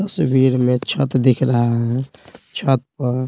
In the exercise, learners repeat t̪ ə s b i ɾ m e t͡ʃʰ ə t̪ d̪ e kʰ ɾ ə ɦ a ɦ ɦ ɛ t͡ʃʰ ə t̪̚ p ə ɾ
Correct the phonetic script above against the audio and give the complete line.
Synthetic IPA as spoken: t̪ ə s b i ɾ m e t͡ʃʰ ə t̪ d̪ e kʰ ɾ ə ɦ a ɦ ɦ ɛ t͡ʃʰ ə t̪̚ p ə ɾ